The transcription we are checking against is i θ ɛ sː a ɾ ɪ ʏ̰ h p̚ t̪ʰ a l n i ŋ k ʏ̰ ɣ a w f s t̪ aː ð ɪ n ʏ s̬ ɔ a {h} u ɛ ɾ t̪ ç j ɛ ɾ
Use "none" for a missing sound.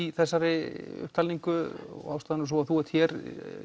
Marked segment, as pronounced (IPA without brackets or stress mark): θ